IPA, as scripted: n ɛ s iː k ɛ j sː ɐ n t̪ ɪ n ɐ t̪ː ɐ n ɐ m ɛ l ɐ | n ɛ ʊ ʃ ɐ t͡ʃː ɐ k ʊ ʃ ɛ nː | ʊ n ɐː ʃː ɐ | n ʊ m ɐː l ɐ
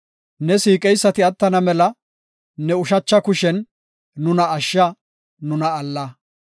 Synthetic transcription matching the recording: n ɛ s iː kʼ ɛ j sː ɐ t̪ ɪ ɐ t̪ː ɐ n ɐ m ɛ l ɐ | n ɛ ʊ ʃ ɐ t͡ʃː ɐ k ʊ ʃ ɛ nː | ʊ n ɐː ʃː ɐ | n ʊ n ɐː lː ɐ